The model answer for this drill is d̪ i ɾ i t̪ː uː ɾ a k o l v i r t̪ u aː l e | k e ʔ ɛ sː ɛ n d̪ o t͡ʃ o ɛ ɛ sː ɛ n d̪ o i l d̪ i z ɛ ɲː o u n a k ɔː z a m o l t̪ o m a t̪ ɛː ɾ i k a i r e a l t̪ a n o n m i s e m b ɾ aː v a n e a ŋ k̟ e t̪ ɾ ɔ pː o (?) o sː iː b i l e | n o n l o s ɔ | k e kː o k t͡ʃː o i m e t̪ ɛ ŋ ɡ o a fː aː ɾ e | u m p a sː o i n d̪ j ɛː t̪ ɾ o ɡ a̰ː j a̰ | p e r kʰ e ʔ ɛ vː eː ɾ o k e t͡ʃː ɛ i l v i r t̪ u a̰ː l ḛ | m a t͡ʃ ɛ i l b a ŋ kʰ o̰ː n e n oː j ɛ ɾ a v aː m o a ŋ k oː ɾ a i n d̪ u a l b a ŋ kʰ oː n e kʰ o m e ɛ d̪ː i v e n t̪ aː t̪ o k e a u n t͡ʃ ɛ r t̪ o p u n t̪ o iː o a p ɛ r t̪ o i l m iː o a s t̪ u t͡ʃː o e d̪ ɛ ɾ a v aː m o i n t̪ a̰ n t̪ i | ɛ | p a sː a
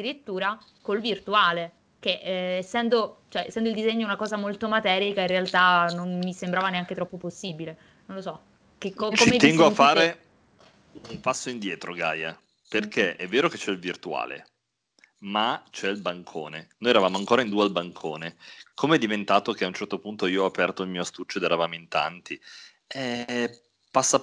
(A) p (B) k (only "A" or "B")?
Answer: A